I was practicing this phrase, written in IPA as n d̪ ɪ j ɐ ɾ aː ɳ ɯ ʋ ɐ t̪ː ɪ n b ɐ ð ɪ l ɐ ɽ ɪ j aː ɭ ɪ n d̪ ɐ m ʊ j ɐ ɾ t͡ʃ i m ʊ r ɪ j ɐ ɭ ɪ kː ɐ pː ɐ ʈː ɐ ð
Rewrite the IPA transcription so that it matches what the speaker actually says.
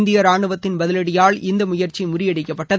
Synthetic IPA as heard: n d̪ ɪ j ɐ ɾ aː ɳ ɯ ʋ ɐ t̪ː ɪ n b ɐ ð ɪ l ɐ ɽ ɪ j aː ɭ ɪ n d̪ ɐ m ʊ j ɐ ɾ t͡ʃ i m ʊ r ɪ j ɐ ɽ ɪ kː ɐ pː ɐ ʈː ɐ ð